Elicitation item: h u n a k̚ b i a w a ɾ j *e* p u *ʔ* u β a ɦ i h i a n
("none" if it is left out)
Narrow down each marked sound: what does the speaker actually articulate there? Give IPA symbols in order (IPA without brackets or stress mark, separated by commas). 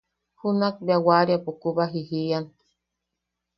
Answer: a, k